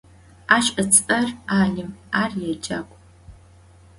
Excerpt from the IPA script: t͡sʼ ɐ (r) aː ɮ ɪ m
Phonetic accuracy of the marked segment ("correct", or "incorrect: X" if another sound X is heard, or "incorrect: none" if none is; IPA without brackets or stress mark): correct